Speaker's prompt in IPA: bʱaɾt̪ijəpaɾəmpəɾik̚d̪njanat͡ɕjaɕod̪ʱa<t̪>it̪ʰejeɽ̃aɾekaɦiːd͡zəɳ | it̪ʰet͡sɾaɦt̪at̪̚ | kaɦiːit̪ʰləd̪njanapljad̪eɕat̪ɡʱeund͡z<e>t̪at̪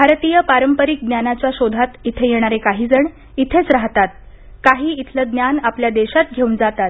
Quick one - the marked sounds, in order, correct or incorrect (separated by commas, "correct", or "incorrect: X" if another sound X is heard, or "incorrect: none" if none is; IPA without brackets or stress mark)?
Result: correct, incorrect: a